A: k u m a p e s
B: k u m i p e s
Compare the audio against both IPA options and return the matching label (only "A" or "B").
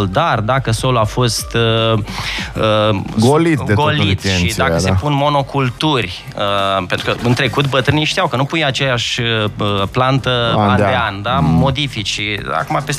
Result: A